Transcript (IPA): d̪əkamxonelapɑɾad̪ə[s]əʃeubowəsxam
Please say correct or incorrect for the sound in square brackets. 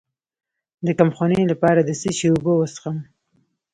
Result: correct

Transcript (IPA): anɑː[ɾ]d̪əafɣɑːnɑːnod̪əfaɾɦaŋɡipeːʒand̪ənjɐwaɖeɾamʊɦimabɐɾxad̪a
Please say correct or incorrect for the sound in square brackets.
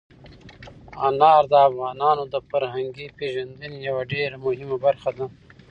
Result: correct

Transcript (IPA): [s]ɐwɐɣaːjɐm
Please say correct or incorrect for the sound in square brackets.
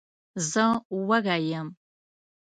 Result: incorrect: z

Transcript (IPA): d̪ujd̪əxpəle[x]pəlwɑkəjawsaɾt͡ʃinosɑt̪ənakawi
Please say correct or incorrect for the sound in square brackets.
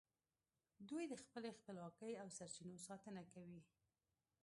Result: correct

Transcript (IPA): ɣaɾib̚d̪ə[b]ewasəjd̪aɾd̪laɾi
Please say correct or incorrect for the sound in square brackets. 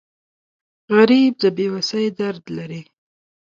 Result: correct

